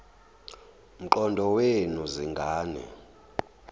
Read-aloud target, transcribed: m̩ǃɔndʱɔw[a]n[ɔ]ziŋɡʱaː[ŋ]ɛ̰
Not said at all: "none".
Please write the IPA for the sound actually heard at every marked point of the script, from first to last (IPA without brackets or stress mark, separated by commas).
e, u, n